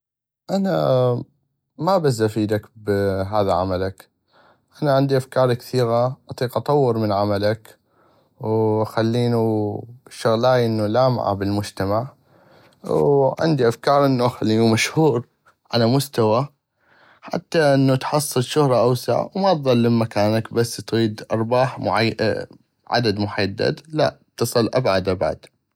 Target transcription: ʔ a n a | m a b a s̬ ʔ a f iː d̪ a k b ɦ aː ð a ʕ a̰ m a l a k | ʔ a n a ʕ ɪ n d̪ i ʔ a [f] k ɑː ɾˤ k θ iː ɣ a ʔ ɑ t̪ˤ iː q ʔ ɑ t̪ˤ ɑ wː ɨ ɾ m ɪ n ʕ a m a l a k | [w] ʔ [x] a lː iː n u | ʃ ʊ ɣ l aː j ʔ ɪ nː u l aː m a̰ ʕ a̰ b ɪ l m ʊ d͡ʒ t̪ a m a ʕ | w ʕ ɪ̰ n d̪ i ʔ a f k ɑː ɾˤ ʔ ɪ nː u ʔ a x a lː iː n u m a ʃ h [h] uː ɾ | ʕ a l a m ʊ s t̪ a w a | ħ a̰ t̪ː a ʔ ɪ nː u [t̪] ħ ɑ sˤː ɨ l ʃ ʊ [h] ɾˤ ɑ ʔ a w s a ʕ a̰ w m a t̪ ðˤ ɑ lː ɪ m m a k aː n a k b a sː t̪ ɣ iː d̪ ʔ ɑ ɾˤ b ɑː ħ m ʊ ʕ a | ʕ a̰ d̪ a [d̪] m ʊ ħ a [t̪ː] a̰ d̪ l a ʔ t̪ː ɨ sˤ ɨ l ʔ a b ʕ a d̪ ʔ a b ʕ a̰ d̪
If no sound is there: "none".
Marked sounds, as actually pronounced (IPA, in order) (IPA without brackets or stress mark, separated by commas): f, w, x, h, t̪, h, d̪, d̪ː